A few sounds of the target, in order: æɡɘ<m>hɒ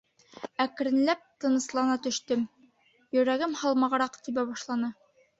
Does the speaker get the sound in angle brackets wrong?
no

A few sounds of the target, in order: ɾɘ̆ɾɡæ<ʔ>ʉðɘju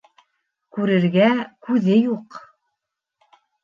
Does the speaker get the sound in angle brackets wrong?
yes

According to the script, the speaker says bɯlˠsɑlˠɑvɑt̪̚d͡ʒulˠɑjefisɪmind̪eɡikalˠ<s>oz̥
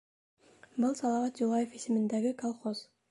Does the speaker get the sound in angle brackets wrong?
yes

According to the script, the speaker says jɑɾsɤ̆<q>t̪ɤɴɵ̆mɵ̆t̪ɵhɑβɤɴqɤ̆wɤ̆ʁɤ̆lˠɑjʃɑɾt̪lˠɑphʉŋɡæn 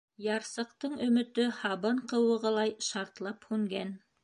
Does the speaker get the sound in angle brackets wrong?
no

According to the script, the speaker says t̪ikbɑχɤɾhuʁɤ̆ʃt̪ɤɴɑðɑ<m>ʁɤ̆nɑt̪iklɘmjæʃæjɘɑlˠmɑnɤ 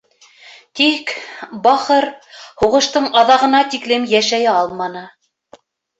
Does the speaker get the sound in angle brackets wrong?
yes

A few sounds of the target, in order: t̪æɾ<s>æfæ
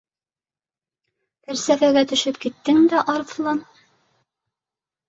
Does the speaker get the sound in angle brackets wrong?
no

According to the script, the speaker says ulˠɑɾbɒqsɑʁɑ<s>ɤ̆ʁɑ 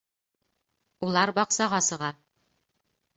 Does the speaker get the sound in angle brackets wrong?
no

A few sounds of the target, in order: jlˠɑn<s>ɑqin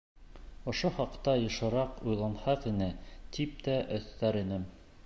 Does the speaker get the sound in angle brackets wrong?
yes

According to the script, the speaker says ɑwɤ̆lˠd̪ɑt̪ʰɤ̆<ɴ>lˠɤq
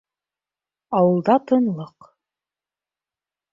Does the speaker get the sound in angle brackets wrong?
yes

